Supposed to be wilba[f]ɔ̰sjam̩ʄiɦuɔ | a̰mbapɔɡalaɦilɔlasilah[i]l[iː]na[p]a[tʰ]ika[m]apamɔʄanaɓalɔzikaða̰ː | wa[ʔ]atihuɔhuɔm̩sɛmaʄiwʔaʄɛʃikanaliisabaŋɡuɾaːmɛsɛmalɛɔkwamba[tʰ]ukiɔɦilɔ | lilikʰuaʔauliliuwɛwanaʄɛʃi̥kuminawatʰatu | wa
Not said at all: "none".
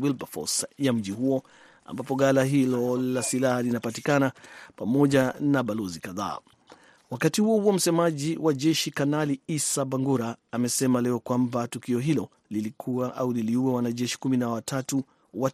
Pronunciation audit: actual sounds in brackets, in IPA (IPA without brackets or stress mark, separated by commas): f, a, i, p, t, n, k, t